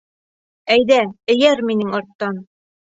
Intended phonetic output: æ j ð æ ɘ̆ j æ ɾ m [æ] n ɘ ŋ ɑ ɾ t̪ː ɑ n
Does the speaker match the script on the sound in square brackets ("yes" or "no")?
no